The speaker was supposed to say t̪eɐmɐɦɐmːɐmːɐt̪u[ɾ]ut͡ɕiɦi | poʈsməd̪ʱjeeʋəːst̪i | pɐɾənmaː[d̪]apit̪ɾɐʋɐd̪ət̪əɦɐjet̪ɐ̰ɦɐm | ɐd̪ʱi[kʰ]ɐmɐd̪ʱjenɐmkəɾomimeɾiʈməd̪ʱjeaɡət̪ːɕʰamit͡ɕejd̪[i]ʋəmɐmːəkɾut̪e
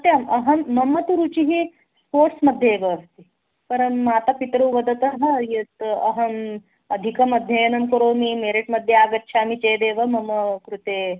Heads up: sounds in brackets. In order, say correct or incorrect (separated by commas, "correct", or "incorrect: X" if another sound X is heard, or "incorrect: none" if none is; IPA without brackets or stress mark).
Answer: correct, incorrect: t̪, incorrect: k, incorrect: e